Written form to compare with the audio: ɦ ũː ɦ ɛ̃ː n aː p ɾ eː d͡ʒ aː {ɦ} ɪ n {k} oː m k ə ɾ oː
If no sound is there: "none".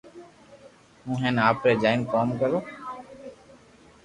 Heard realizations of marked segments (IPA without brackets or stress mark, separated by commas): none, k